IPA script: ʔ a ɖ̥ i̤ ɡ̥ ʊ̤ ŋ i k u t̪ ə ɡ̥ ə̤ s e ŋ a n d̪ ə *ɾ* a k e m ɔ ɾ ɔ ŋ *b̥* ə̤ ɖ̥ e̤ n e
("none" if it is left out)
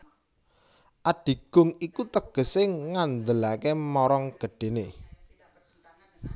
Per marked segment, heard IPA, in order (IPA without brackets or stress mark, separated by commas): l, ɡ̥